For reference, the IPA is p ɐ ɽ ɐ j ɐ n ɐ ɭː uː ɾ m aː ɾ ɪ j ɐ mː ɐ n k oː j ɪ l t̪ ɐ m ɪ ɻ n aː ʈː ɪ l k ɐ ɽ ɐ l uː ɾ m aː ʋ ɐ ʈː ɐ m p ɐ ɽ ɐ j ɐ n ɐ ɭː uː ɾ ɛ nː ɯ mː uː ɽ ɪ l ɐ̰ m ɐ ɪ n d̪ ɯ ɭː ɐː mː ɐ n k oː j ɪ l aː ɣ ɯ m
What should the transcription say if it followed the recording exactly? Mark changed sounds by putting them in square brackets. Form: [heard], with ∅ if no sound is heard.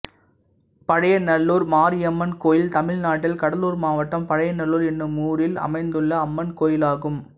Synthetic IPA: p ɐ ɽ ɐ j ɐ n ɐ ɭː uː ɾ m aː ɾ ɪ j ɐ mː ɐ n k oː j ɪ l t̪ ɐ m ɪ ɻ n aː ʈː ɪ l k ɐ ɽ ɐ l uː ɾ m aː ʋ ɐ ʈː ɐ m p ɐ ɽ ɐ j ɐ n ɐ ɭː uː ɾ ɛ nː ɯ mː uː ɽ ɪ l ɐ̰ m ɐ ɪ n d̪ ɯ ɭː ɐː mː ɐ n k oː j ɪ l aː ɣ ɯ m